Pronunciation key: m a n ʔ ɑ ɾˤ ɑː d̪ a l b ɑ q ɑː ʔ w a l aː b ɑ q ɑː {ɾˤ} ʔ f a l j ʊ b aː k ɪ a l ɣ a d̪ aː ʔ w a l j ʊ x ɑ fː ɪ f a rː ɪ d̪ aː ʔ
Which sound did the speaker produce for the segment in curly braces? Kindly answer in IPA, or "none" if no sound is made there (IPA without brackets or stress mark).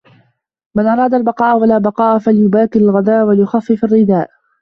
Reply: none